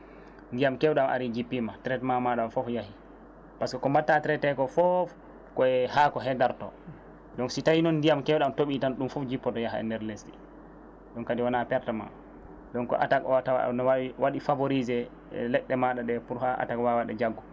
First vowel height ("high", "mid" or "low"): high